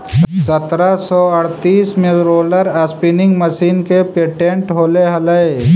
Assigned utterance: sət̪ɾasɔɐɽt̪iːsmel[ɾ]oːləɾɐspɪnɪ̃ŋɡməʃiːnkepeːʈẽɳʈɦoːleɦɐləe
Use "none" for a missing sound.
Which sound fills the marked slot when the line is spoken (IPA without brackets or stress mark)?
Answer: ɾ